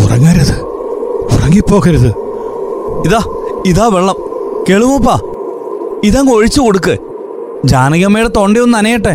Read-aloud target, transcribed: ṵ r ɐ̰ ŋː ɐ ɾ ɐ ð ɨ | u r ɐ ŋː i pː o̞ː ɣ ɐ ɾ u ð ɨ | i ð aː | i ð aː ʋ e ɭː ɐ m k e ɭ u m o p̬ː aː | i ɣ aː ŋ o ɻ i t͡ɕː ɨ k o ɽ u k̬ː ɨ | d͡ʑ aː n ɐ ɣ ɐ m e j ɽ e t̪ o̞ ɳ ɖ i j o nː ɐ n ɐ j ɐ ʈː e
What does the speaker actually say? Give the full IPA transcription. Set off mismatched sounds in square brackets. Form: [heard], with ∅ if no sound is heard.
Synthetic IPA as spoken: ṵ r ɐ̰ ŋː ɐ ɾ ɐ ð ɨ | u r ɐ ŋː i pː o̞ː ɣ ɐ ɾ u ð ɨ | i ð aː | i ð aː ʋ e ɭː ɐ m k e ɭ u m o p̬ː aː | i [ð] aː ŋ o ɻ i t͡ɕː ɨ k o ɽ u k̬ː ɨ | d͡ʑ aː n ɐ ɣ ɐ m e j ɽ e t̪ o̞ ɳ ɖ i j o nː ɐ n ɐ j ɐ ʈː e